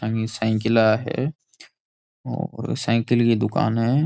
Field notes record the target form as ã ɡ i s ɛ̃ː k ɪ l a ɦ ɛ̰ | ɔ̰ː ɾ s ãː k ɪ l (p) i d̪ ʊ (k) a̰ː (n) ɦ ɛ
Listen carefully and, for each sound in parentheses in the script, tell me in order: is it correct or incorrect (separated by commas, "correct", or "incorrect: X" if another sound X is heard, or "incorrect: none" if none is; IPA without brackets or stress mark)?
incorrect: k, correct, correct